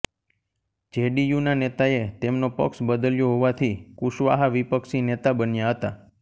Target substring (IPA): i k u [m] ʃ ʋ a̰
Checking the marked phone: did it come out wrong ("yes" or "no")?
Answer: yes